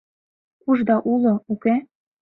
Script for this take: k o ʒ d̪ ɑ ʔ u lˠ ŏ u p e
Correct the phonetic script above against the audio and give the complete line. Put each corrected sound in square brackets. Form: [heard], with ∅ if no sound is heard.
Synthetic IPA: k [u] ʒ d̪ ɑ ʔ u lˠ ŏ u [k] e

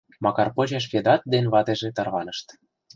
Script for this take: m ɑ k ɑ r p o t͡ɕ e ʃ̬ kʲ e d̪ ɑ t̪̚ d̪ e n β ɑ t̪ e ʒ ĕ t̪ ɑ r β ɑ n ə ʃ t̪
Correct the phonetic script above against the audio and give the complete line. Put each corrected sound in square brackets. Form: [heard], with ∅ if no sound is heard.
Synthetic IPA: m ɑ k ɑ r p o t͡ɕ e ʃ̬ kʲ e d̪ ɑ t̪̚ d̪ e n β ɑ t̪ e ʒ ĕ t̪ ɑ r β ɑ n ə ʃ t̪

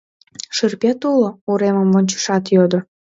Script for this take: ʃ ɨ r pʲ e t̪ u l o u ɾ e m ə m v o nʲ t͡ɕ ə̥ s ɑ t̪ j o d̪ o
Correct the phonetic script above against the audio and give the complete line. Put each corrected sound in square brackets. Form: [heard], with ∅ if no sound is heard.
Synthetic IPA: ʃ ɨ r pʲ e t̪ u l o u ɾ e m ə m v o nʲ t͡ɕ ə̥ [ʃ] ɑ t̪ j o d̪ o

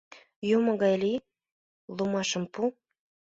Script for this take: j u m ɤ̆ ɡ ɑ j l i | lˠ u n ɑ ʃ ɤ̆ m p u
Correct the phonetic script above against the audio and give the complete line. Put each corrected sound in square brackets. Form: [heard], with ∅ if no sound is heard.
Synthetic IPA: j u m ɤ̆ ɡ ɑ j l i | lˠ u [m] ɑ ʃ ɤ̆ m p u

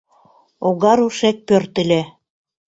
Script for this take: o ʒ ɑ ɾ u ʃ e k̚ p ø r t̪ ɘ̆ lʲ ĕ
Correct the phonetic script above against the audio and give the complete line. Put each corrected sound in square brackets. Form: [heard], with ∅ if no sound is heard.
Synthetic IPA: o [ɣ] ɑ ɾ u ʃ e k̚ p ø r t̪ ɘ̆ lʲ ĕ

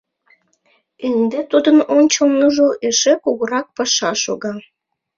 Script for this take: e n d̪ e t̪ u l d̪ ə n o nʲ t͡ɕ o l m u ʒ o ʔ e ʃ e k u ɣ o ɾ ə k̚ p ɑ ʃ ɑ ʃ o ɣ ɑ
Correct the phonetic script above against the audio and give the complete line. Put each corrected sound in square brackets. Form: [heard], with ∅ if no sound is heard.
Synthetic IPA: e n d̪ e t̪ u [∅] d̪ ə n o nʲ t͡ɕ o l [n] u ʒ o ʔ e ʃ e k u ɣ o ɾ [ɑ] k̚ p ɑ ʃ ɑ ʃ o ɣ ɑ

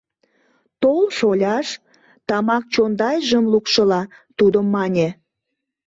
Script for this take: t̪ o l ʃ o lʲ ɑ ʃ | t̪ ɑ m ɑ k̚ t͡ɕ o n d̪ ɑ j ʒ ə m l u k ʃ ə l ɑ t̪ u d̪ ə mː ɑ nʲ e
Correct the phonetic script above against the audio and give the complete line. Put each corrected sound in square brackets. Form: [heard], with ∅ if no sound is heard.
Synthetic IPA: t̪ o l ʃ o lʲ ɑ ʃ | t̪ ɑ m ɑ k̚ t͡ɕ o n d̪ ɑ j ʒ ə m l u k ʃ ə l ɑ t̪ u d̪ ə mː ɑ nʲ e

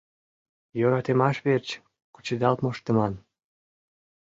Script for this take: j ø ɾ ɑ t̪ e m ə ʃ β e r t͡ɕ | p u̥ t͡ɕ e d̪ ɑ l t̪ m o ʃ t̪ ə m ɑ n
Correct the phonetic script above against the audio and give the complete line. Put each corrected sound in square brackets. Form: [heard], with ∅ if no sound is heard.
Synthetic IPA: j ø ɾ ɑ t̪ e m [ɑ] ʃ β e r t͡ɕ | [k] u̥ t͡ɕ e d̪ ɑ l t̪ m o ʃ t̪ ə m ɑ n

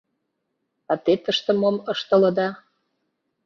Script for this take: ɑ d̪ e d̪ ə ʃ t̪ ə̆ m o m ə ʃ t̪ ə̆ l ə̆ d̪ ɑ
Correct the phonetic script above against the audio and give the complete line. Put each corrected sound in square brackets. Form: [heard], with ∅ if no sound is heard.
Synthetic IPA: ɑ [t̪] e [t̪] ə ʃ t̪ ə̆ m o m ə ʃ t̪ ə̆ l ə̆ d̪ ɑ

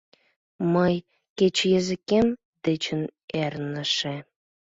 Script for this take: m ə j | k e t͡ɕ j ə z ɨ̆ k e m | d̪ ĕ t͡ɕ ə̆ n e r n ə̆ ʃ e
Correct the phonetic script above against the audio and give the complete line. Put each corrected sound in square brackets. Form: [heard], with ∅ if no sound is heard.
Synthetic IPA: m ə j | k e t͡ɕ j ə z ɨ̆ k e m | d̪ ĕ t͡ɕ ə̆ n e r n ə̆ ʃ e

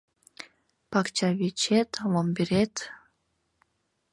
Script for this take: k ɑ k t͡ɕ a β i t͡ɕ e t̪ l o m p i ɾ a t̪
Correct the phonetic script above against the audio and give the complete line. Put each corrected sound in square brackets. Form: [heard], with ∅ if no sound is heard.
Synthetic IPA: [p] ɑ k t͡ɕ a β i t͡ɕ e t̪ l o m [b] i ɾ [e] t̪

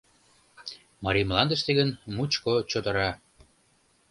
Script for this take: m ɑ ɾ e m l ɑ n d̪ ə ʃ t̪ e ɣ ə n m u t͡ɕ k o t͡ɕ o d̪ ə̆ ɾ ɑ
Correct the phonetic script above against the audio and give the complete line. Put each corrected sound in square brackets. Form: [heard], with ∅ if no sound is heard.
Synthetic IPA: m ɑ ɾ [i] m l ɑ n d̪ ə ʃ t̪ e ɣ ə n m u t͡ɕ k o t͡ɕ o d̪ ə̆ ɾ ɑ

